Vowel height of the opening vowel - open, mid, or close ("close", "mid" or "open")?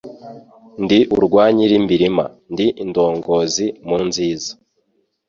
close